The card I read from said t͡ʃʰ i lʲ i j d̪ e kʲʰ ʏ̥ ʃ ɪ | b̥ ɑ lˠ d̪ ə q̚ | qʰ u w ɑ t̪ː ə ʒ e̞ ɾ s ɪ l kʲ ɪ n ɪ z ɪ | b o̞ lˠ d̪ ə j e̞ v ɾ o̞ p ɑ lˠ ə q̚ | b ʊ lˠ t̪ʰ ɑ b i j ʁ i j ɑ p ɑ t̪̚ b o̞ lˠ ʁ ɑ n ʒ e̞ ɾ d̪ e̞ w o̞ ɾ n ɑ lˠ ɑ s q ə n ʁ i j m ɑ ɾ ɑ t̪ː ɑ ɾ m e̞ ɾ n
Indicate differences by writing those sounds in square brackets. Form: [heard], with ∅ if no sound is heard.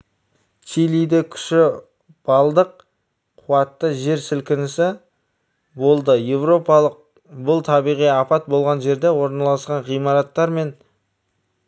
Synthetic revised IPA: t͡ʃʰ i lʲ i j d̪ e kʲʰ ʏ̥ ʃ ɪ | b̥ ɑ lˠ d̪ ə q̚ | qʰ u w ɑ t̪ː ə ʒ e̞ ɾ s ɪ l kʲ ɪ n ɪ [s] ɪ | b o̞ lˠ d̪ ə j e̞ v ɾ o̞ p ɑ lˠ ə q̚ | b ʊ lˠ t̪ʰ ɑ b i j ʁ i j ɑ p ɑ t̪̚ b o̞ lˠ ʁ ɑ n ʒ e̞ ɾ d̪ e̞ w o̞ ɾ n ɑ lˠ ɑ s q [ɑ] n ʁ i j m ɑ ɾ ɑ t̪ː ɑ ɾ m e̞ [∅] n